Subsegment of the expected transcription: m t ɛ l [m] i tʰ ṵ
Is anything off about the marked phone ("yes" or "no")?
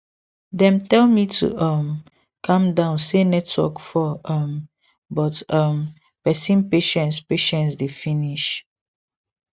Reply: no